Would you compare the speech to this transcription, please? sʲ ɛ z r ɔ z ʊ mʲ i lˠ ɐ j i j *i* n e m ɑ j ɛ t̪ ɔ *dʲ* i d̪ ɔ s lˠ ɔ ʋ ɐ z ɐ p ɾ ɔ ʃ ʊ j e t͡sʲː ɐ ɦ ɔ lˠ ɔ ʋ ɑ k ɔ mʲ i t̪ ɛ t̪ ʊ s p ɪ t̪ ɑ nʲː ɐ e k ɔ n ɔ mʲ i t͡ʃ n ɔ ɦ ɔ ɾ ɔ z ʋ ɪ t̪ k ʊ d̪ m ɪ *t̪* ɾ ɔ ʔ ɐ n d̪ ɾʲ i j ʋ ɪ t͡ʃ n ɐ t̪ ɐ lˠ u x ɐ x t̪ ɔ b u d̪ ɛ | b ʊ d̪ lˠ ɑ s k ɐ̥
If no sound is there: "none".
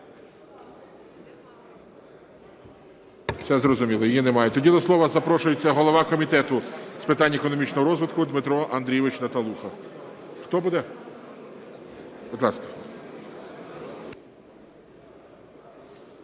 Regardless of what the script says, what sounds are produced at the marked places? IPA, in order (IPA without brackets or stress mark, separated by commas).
i, dʲ, t̪